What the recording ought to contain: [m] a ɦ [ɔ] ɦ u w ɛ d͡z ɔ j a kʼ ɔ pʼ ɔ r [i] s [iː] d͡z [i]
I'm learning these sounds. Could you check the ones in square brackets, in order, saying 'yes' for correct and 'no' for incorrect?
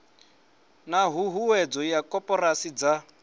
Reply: no, no, no, no, no

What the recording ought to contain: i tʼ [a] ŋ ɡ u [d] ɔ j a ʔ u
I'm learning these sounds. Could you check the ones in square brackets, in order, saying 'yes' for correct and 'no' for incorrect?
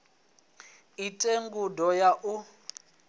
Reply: no, yes

